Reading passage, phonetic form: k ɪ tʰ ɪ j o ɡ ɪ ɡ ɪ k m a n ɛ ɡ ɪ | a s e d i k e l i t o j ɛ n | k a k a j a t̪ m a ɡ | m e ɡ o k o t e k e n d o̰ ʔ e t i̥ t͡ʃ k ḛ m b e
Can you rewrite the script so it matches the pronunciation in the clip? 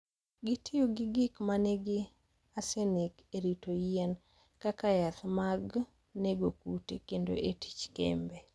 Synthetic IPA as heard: ɡ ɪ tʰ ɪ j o ɡ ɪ ɡ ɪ k m a n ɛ ɡ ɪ | a s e n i k e ɾ i t o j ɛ n | k a k a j a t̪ m a ɡ | n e ɡ o k u t e k e n d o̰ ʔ e t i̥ t͡ʃ k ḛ m b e